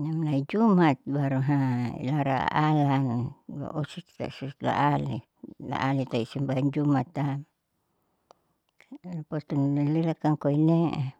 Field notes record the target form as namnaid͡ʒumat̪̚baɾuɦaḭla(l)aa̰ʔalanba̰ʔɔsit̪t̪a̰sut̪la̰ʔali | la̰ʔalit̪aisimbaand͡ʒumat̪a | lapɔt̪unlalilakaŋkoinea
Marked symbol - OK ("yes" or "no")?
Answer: no